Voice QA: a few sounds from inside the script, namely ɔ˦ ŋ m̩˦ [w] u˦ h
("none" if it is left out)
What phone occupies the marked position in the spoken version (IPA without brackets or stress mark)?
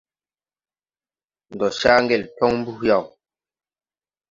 b